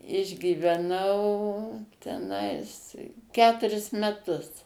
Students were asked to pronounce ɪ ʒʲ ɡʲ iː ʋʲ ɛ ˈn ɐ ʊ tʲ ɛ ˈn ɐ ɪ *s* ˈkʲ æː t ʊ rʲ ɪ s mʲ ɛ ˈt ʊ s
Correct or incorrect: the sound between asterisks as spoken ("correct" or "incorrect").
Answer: correct